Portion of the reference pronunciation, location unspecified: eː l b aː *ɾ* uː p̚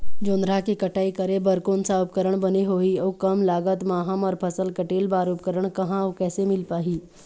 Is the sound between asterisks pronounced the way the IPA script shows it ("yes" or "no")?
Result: yes